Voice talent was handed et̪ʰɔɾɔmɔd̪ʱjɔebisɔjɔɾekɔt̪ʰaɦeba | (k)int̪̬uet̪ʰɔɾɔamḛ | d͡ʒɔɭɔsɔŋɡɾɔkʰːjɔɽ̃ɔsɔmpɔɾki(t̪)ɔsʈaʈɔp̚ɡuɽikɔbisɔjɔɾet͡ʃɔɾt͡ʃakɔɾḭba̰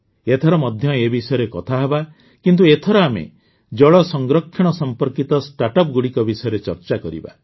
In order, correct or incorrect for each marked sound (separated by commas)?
correct, correct